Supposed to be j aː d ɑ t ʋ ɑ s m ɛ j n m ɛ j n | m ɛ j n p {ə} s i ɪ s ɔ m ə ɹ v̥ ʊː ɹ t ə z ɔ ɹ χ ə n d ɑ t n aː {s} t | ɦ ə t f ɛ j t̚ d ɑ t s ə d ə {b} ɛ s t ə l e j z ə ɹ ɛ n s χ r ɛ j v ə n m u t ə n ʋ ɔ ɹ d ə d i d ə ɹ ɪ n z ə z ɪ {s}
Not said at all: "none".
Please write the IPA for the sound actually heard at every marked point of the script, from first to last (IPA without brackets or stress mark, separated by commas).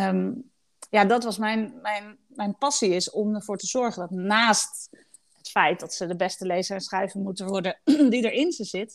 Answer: ɑ, s, b, t